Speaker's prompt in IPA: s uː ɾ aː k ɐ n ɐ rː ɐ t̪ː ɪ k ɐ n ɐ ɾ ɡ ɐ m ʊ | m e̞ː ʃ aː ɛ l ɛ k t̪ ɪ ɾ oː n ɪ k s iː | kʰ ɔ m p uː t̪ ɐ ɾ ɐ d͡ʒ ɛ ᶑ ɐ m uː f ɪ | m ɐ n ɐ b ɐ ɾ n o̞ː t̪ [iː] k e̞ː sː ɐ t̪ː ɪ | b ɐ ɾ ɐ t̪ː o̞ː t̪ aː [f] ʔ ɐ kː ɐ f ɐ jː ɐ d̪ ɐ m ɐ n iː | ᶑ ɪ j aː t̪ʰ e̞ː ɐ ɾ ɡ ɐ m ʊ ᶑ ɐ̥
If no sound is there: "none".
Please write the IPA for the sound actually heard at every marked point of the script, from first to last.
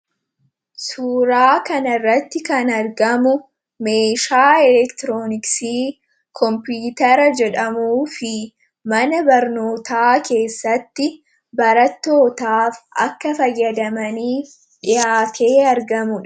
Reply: aː, f

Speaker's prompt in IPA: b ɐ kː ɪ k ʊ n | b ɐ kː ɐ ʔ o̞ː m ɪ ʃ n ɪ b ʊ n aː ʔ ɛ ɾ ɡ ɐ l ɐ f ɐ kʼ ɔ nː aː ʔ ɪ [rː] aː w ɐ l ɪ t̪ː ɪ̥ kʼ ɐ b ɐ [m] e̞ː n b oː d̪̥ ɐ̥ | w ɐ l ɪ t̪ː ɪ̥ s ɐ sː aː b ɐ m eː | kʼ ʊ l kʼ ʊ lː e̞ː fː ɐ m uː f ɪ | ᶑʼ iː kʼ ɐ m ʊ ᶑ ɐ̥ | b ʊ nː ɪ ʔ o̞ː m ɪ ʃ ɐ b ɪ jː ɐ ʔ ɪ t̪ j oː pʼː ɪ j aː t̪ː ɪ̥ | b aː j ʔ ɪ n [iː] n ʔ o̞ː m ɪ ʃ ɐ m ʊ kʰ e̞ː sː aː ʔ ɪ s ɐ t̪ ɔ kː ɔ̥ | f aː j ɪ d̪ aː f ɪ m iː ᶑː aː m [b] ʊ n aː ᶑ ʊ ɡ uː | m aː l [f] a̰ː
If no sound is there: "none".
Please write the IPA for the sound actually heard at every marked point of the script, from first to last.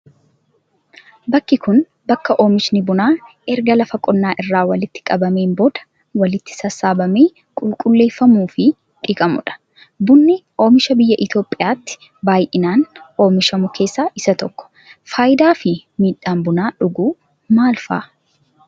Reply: rː, m, aː, b, f

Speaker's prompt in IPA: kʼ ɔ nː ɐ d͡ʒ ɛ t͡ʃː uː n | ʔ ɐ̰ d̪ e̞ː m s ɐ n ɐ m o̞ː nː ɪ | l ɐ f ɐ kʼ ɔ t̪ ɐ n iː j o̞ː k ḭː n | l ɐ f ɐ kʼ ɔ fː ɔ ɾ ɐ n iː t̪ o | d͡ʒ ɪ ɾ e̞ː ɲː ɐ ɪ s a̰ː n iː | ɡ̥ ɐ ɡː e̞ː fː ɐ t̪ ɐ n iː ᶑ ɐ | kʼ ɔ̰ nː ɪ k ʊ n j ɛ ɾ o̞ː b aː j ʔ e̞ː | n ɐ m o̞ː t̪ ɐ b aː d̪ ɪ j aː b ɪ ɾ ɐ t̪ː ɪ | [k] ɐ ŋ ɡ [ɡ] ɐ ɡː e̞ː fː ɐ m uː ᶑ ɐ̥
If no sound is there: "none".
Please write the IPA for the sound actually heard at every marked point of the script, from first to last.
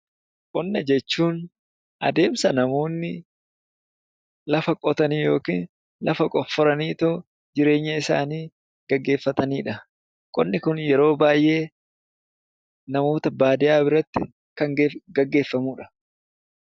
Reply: k, ɡ

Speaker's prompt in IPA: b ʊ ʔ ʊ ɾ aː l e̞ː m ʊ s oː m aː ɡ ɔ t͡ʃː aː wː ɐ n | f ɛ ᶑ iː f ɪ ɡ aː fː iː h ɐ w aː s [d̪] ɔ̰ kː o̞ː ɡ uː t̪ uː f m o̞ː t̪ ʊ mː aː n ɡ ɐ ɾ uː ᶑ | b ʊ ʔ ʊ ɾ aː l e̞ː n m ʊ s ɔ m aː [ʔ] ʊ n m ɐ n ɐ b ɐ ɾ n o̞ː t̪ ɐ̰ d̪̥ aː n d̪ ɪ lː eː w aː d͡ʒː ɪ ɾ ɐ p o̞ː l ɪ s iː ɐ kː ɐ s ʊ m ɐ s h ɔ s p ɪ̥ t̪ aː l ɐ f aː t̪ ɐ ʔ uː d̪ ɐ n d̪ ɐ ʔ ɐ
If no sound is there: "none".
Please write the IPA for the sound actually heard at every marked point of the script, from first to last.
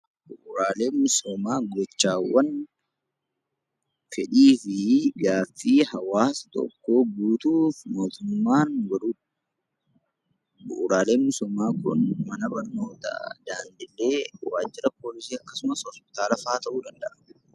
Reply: t̪, k

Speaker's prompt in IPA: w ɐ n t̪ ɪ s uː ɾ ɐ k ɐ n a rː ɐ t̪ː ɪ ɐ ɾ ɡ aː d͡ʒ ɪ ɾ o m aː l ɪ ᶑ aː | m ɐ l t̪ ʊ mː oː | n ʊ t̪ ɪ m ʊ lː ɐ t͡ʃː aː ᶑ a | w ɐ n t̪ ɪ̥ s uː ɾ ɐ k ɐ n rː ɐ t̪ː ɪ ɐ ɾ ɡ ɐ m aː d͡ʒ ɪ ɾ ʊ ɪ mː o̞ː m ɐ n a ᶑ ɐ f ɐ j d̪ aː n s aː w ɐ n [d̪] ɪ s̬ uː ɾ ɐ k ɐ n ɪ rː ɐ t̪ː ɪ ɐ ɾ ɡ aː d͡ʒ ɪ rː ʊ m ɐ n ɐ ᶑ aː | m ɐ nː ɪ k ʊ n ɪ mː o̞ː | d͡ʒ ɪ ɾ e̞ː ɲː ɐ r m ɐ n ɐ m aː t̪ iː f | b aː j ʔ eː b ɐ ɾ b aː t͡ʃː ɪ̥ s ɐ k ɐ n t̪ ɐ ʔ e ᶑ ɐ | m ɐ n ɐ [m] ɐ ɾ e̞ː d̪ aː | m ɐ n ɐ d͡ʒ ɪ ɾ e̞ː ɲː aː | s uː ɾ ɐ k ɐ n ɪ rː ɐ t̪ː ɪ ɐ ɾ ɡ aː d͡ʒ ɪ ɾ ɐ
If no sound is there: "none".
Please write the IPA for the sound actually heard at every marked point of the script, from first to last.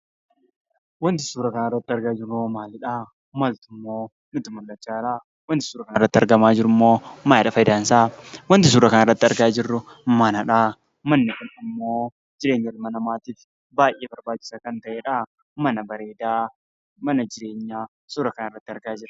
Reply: t̪, b

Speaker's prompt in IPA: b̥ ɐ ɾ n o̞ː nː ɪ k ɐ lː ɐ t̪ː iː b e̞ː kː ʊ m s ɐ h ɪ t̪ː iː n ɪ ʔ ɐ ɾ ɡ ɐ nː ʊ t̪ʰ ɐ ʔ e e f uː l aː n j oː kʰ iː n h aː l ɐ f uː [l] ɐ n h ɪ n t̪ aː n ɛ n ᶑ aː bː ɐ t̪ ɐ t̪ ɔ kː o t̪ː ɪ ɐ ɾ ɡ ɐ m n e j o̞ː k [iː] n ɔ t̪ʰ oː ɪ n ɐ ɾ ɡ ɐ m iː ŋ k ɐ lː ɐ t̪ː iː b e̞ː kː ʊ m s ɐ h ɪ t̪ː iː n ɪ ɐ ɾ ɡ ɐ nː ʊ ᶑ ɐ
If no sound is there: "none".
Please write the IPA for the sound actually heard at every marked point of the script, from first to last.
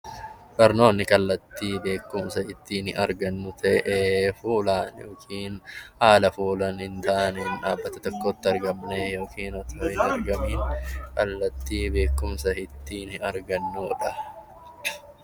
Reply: l, iː

